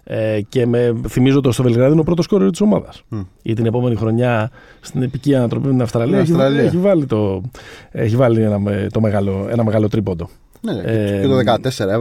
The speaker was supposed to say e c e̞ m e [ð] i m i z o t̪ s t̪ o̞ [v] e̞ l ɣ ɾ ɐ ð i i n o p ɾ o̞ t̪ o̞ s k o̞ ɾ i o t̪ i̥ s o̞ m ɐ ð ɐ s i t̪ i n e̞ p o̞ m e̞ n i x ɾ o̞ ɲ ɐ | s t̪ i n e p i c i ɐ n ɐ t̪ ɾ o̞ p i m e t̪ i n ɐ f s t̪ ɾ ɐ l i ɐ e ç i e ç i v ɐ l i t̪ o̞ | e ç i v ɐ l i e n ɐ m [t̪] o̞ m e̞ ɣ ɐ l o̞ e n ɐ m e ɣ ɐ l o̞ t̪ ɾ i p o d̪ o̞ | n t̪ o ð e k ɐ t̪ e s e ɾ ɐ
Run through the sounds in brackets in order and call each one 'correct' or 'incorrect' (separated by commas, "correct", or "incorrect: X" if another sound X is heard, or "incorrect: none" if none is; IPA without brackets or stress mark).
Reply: incorrect: θ, correct, correct